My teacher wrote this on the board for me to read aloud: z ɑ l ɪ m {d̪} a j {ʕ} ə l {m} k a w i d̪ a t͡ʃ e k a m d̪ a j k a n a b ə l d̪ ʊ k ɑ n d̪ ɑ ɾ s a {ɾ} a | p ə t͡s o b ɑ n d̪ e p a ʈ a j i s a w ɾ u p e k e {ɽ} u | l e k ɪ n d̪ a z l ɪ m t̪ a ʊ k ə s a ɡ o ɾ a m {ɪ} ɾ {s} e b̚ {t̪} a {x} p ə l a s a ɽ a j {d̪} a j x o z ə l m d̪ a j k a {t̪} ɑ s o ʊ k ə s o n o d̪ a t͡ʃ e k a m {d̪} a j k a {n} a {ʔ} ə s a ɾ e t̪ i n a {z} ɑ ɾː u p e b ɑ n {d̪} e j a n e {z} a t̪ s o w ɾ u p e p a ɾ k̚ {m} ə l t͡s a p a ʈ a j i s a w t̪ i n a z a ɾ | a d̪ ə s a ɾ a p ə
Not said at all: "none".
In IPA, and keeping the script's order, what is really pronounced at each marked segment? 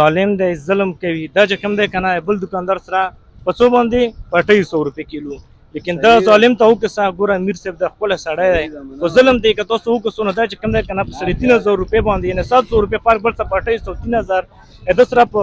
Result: d̪, z, m, ɾ, l, i, s, d̪, x, d̪, t̪, d̪, n, p, z, d̪, s, b

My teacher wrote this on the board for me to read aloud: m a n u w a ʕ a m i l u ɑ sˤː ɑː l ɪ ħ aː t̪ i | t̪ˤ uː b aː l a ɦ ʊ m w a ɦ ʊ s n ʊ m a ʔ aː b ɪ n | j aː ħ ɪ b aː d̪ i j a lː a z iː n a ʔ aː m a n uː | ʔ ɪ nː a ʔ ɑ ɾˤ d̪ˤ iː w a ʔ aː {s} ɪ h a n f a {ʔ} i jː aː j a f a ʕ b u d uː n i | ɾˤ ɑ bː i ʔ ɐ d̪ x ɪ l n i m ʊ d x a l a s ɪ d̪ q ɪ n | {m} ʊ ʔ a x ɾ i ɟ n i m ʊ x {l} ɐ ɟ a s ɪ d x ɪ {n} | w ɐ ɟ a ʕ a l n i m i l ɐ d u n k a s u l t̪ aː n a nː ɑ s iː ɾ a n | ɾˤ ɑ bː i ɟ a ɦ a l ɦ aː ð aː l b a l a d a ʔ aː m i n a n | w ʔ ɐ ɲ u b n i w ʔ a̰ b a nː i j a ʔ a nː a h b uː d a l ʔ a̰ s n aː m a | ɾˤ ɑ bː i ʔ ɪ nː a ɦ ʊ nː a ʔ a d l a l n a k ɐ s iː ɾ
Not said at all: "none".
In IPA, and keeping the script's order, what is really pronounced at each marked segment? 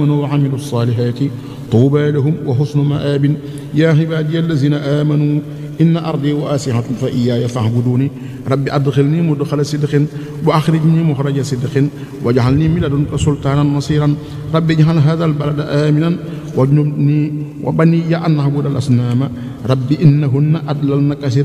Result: s, ʔ, b, ɾ, n

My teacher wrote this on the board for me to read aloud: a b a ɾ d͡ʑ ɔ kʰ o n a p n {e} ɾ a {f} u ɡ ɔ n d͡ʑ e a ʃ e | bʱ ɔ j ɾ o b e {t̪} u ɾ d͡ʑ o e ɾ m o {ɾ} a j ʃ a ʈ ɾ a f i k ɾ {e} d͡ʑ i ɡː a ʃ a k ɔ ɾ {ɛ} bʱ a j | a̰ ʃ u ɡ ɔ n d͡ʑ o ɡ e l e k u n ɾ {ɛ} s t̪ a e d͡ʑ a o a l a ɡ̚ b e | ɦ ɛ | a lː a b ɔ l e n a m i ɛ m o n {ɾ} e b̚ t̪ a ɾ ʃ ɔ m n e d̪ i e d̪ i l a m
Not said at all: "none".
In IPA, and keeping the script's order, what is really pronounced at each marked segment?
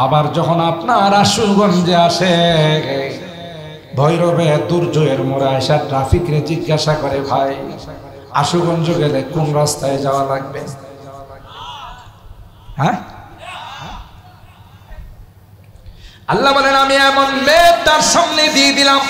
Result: a, ʃ, d̪, ɾ, e, e, a, l

